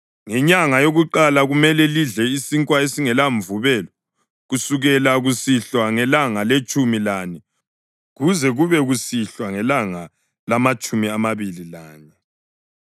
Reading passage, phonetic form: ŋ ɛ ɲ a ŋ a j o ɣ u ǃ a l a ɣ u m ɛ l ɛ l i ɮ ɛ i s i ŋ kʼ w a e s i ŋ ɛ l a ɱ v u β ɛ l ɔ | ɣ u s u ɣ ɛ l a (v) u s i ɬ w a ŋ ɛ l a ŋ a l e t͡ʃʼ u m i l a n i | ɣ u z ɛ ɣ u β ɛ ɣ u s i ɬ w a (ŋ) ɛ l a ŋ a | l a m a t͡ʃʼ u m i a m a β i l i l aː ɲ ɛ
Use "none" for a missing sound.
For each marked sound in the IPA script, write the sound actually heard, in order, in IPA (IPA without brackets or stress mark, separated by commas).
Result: ɣ, ŋ